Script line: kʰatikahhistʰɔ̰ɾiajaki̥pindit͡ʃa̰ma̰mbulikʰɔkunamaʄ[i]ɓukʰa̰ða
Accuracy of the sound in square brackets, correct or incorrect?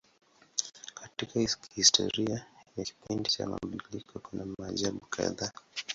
incorrect